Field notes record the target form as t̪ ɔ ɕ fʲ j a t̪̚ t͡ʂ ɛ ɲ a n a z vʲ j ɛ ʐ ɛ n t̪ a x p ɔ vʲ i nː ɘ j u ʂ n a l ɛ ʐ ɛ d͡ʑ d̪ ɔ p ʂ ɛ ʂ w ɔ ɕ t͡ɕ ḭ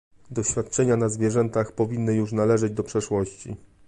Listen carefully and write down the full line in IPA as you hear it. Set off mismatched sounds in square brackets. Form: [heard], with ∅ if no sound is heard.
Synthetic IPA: [d̪] ɔ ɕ fʲ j a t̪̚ t͡ʂ ɛ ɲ a n a z vʲ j ɛ ʐ ɛ n t̪ a x p ɔ vʲ i nː ɘ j u ʂ n a l ɛ ʐ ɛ d͡ʑ d̪ ɔ p ʂ ɛ ʂ w ɔ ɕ t͡ɕ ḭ